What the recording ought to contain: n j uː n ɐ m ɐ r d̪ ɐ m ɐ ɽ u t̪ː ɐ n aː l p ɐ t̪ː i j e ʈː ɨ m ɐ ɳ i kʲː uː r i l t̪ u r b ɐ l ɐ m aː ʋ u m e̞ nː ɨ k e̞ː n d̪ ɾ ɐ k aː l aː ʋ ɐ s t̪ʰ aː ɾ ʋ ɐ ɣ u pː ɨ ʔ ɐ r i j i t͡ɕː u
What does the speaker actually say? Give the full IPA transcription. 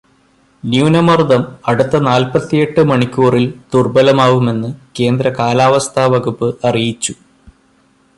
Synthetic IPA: n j uː n ɐ m ɐ r d̪ ɐ m ɐ ɽ u t̪ː ɐ n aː l p ɐ t̪ː i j e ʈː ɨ m ɐ ɳ i kʲː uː r i l t̪ u r b ɐ l ɐ m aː ʋ u m e̞ nː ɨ k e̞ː n d̪ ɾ ɐ k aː l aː ʋ ɐ s t̪ʰ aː ʋ ɐ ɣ u pː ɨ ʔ ɐ r i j i t͡ɕː u